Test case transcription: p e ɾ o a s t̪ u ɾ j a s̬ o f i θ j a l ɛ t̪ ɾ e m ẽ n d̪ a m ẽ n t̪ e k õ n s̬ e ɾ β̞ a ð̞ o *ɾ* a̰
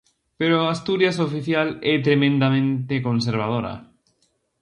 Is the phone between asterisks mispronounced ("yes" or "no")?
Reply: no